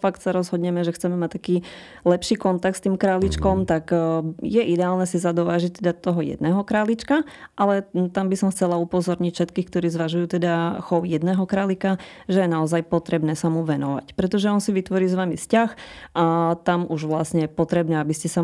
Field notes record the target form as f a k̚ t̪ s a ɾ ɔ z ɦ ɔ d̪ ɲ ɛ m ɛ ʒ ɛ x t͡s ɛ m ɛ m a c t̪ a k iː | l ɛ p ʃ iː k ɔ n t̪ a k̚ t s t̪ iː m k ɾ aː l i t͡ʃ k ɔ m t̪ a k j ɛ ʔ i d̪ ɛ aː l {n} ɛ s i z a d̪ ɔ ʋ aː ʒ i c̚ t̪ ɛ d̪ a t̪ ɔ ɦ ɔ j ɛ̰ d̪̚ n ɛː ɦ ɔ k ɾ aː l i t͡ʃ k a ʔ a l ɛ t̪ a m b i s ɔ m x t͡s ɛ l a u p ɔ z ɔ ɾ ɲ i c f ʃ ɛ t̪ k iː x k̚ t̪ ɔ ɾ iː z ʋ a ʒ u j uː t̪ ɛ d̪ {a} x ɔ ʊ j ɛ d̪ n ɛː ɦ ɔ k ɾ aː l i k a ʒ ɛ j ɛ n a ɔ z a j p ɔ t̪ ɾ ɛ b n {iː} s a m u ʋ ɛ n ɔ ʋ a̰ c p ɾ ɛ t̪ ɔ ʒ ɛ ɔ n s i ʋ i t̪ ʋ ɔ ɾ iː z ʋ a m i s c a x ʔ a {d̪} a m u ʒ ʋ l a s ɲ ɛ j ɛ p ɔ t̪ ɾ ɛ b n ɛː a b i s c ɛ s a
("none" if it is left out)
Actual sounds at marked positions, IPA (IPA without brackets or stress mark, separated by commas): n, a, ɛː, t̪